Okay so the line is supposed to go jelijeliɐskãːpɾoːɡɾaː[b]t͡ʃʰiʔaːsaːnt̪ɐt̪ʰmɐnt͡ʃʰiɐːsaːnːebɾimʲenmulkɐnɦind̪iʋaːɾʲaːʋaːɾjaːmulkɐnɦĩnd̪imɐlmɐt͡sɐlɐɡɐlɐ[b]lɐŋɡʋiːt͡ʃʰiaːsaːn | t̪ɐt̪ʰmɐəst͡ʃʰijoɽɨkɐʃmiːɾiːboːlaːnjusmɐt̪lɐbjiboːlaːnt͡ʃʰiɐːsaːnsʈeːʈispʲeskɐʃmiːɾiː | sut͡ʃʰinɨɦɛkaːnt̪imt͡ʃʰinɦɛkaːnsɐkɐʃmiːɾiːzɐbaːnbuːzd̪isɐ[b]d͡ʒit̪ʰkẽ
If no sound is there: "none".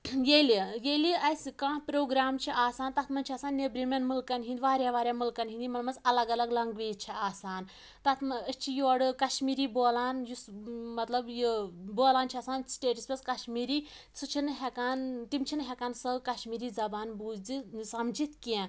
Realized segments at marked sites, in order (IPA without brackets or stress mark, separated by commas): m, ɡ, m